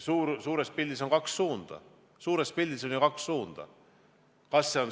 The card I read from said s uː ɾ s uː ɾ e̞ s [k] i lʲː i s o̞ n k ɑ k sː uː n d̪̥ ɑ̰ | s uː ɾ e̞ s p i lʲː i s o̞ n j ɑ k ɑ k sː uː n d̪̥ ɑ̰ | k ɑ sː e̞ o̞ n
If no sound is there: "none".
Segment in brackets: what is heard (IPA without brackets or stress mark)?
p